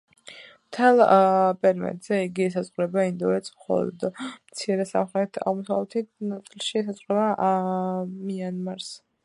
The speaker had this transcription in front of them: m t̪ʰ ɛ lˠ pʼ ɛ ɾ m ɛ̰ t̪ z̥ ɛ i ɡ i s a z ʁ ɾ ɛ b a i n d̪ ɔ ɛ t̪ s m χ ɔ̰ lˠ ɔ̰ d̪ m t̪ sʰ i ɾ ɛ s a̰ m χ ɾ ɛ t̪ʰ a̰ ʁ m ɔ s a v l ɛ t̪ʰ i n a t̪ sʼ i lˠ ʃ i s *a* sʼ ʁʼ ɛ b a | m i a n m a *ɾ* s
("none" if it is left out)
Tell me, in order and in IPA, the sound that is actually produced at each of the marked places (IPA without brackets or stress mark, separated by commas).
a, ɾ